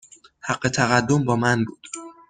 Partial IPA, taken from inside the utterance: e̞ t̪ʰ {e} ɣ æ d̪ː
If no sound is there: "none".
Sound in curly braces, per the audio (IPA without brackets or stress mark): æ